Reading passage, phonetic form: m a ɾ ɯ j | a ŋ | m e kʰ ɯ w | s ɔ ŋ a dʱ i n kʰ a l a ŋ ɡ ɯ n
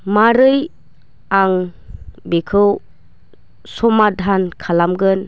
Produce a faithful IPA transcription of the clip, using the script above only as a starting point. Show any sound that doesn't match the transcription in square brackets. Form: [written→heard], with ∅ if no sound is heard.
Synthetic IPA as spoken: m a ɾ ɯ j | a ŋ | [m→b] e kʰ ɯ w | s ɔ [ŋ→m] a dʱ [i→a] n kʰ a l a [ŋ→m] ɡ ɯ n